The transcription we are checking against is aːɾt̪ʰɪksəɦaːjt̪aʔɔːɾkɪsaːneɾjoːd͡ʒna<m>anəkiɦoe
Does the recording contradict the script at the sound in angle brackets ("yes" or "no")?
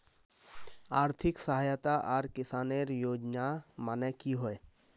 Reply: no